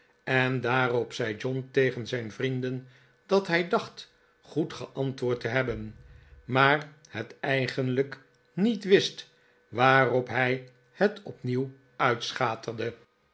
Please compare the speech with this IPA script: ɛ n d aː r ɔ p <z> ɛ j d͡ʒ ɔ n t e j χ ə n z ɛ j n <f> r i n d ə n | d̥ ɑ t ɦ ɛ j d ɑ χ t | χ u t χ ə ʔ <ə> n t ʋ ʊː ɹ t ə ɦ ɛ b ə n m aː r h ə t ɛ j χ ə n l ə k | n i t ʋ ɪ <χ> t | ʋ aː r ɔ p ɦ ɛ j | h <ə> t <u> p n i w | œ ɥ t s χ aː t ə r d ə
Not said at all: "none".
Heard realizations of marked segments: s, v, ɑ, s, ə, ɔ

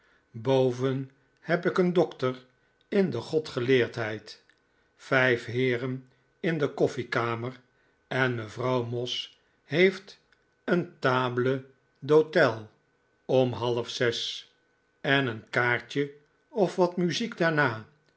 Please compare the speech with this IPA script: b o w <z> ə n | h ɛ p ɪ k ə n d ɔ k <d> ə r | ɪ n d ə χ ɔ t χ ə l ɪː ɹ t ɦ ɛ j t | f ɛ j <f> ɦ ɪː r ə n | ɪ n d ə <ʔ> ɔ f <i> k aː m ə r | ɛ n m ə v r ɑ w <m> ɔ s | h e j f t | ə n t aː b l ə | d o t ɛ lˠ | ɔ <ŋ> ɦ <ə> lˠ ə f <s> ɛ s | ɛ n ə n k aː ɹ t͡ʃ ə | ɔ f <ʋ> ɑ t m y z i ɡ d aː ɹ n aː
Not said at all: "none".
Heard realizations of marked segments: v, t, f, k, i, m, m, ɑ, s, ʋ

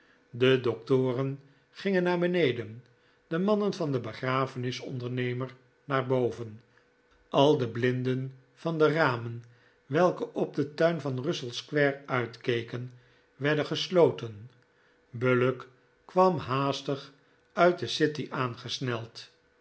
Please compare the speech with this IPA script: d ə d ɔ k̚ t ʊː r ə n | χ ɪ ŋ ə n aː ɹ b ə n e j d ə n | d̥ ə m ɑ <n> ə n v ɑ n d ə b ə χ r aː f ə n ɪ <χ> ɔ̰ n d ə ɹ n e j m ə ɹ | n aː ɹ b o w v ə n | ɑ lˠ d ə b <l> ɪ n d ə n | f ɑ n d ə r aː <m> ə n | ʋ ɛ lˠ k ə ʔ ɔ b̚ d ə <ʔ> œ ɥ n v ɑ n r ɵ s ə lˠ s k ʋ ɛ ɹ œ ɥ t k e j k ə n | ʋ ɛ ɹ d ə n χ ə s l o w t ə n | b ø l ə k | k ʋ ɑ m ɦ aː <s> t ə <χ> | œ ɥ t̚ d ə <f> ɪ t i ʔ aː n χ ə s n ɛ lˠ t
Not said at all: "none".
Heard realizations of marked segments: n, s, l, m, t, s, χ, s

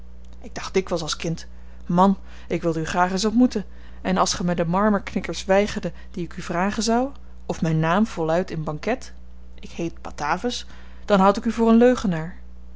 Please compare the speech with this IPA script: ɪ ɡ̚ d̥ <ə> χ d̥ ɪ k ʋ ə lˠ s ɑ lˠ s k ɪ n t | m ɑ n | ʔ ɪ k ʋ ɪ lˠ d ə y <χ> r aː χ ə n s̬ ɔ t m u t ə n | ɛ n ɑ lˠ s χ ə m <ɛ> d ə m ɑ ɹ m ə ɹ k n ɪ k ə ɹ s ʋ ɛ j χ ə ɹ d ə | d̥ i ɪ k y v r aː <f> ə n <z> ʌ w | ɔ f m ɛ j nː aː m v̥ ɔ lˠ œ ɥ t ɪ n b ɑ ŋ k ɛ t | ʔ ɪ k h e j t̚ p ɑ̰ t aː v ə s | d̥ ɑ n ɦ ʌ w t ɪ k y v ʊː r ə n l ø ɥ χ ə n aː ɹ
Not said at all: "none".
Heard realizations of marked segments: ɑ, χ, ɛ, χ, z

